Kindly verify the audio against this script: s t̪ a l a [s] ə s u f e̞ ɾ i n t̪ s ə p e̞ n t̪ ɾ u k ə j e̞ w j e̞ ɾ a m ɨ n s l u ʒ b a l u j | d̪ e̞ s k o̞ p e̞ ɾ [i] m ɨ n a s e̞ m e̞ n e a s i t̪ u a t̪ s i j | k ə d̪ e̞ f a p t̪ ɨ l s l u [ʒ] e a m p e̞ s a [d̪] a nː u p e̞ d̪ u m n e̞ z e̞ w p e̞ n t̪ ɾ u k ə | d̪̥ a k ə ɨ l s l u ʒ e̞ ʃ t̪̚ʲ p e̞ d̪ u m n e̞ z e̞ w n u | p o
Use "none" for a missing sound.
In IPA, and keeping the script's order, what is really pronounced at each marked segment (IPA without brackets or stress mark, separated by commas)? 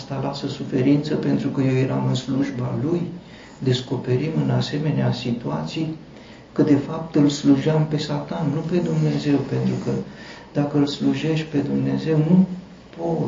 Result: s, i, ʒ, t̪